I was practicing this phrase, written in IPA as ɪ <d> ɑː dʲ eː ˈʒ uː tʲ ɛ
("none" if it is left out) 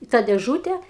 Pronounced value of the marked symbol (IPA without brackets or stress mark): t